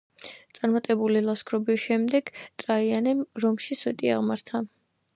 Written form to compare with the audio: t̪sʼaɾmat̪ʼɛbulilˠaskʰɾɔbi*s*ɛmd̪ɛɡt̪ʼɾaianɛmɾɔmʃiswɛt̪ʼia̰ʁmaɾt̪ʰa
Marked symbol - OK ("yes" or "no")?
no